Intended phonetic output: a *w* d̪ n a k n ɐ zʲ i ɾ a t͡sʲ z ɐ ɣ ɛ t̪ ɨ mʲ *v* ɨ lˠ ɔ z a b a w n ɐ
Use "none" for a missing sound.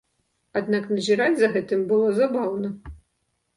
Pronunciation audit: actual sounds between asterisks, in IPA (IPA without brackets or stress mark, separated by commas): none, b